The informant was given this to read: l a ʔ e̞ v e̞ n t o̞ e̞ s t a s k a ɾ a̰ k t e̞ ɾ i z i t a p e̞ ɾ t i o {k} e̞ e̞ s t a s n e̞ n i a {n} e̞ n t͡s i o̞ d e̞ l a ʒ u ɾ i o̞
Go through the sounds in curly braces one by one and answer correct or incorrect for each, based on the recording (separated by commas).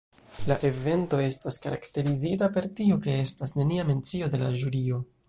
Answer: correct, incorrect